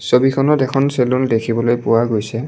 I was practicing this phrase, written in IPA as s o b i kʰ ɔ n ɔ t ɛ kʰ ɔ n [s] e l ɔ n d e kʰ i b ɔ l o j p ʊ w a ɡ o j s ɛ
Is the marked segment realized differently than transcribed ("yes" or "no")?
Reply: no